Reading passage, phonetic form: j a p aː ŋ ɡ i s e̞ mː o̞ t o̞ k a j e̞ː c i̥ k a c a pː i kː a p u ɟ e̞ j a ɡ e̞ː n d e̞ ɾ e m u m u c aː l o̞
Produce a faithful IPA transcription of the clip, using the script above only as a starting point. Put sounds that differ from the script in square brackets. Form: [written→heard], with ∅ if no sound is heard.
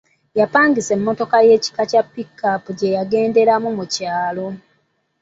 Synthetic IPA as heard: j a p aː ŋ ɡ i s e̞ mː o̞ t o̞ k a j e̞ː c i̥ k a c a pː i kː a p u ɟ e̞ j a ɡ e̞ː n d e̞ ɾ [e→a] m u m u c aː l o̞